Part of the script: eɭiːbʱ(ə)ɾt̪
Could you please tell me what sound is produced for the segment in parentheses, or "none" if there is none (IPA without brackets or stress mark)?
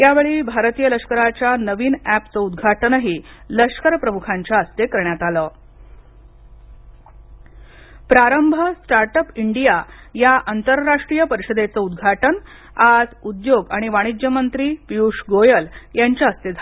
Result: a